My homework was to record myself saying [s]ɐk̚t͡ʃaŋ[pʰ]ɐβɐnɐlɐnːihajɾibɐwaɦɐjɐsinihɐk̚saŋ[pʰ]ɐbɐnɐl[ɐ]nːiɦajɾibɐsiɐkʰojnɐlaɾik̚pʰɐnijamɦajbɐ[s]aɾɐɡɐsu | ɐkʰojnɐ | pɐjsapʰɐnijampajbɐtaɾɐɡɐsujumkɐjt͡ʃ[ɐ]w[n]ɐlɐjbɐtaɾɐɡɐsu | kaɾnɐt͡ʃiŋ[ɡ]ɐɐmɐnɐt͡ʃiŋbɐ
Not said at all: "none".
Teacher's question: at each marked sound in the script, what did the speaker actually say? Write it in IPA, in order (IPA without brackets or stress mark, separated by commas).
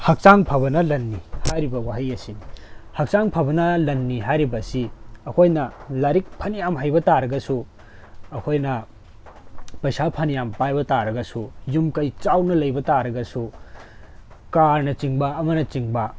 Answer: h, pʰ, pʰ, ɐ, t, a, n, b